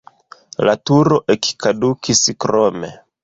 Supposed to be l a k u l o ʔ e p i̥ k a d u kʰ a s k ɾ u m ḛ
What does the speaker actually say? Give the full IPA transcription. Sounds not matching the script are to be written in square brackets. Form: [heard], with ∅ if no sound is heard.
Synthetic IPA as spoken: l a [t] u [ɾ] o ʔ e [k] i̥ k a d u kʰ [i] s k ɾ [o] m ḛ